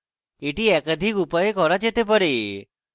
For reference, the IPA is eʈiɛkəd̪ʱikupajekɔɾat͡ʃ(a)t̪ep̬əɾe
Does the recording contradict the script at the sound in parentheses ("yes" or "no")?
yes